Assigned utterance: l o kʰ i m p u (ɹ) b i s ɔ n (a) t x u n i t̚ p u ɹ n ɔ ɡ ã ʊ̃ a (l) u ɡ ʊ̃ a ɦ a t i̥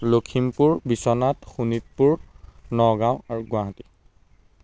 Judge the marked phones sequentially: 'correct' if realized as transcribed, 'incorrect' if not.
correct, correct, incorrect

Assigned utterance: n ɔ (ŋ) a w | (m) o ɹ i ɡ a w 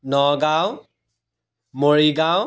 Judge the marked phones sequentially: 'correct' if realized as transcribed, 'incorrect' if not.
incorrect, correct

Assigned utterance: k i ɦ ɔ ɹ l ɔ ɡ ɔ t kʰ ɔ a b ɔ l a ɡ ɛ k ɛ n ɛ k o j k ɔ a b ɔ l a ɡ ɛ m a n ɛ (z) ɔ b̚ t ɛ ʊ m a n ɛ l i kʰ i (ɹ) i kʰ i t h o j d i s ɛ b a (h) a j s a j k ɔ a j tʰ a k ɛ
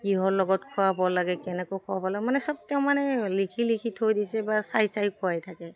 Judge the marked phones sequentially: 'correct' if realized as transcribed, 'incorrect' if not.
incorrect, incorrect, incorrect

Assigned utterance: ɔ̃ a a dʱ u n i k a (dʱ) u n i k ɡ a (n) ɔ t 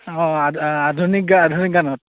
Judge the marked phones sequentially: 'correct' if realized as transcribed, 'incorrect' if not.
correct, correct

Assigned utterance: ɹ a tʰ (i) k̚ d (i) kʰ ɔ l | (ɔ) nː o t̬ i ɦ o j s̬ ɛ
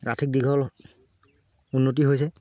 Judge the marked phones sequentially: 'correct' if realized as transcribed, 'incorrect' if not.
correct, correct, incorrect

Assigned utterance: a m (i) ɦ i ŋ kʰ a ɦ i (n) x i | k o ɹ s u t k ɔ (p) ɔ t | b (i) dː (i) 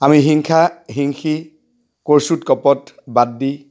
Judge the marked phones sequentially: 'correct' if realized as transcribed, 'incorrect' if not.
correct, incorrect, correct, incorrect, correct

